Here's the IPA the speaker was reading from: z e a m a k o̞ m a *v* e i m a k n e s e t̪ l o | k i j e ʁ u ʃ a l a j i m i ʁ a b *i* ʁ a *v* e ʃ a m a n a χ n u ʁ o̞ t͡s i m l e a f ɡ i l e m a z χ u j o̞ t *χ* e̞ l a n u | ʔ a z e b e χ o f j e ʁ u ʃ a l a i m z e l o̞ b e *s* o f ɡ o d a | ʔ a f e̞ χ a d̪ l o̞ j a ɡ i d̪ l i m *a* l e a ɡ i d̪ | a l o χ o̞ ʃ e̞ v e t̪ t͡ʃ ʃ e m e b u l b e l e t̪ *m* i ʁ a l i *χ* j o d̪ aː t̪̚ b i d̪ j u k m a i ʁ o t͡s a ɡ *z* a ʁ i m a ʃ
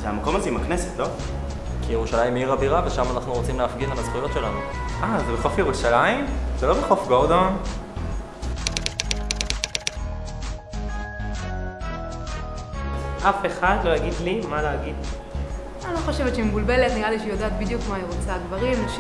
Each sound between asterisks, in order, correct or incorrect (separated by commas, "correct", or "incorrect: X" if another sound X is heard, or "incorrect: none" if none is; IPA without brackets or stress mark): incorrect: z, correct, correct, incorrect: ʃ, incorrect: χ, correct, incorrect: n, incorrect: ʃ, incorrect: v